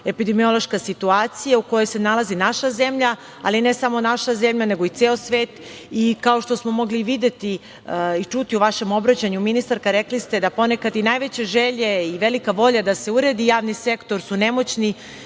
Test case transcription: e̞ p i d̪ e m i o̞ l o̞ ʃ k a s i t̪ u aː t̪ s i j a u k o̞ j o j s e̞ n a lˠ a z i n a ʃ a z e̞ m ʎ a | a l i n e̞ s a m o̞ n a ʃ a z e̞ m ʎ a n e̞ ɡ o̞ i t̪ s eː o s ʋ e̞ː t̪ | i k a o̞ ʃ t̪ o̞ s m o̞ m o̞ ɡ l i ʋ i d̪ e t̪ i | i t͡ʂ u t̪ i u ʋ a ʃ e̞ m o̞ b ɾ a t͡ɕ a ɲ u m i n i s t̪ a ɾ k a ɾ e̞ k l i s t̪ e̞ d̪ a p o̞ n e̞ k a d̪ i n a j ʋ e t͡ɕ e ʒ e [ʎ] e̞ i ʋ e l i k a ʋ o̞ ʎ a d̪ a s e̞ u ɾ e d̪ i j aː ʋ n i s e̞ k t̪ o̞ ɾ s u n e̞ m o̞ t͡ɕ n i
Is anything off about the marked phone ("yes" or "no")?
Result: no